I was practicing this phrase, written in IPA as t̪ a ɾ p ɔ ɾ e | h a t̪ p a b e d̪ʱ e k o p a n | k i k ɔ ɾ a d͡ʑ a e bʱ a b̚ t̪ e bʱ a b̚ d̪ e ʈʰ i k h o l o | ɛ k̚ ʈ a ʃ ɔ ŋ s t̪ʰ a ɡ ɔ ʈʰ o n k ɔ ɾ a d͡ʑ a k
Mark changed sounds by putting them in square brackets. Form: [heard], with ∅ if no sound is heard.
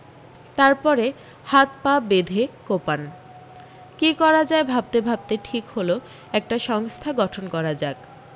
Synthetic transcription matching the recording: t̪ a ɾ p ɔ ɾ e | h a t̪ p a b e d̪ʱ e k o p a n | k i k ɔ ɾ a d͡ʑ a e bʱ a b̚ t̪ e bʱ a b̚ [t̪] e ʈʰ i k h o l o | ɛ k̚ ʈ a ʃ ɔ ŋ s t̪ʰ a ɡ ɔ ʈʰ o n k ɔ ɾ a d͡ʑ a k